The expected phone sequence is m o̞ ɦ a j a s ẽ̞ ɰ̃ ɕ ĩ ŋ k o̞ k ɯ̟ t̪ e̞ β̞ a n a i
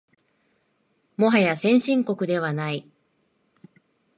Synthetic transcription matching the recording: m o̞ ɦ a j a s ẽ̞ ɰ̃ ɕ ĩ ŋ k o̞ k ɯ̟ d̪ e̞ β̞ a n a i